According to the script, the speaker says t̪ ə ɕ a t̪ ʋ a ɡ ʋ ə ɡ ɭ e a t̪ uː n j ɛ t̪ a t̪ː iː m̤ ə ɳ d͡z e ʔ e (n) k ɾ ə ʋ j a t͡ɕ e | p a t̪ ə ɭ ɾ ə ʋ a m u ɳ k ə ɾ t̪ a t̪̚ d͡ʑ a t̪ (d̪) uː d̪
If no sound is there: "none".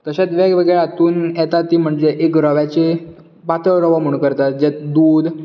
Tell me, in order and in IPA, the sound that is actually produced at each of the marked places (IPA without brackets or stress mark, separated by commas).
none, d̪